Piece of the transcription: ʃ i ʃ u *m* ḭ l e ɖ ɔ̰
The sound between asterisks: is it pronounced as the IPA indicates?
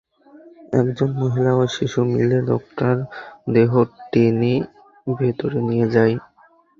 yes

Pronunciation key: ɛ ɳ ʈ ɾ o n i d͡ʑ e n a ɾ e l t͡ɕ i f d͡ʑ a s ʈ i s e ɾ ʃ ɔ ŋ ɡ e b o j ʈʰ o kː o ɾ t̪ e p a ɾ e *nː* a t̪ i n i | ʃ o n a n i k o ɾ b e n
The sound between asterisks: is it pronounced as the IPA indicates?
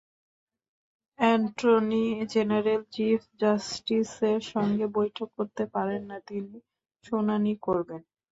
yes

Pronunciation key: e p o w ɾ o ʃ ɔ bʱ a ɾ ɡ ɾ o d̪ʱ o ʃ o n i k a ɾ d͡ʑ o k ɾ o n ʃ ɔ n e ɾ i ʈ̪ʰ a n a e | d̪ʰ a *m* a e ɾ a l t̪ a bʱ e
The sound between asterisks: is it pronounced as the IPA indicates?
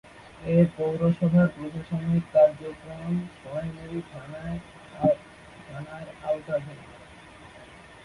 no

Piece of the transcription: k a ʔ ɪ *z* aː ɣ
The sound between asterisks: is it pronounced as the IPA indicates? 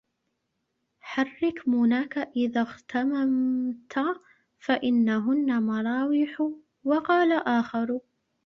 no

